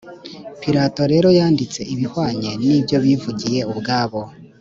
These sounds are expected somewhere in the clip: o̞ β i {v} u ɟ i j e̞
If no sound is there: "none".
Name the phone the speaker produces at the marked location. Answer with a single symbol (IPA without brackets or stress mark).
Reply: v